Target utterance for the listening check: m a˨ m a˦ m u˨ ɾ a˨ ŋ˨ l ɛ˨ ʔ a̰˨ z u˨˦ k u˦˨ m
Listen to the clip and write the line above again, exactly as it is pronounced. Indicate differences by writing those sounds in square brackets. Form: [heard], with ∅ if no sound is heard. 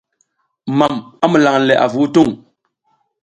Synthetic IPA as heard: m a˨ m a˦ m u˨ [l] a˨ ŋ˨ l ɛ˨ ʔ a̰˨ [v] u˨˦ [t] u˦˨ [ŋ]